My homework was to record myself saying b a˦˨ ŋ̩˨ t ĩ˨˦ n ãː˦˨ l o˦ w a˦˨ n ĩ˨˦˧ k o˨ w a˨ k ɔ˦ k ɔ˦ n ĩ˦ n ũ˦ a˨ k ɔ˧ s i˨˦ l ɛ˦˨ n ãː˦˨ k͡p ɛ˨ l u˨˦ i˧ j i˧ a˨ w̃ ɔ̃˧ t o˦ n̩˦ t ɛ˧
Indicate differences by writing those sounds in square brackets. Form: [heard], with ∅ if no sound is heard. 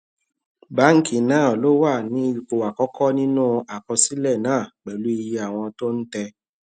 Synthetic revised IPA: b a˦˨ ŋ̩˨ [k] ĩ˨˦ n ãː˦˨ l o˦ w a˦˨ n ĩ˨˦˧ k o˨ w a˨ k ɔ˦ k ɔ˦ n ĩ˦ n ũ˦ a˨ k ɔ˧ s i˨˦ l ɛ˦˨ n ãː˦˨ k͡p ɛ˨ l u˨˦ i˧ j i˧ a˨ w̃ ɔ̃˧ t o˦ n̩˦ t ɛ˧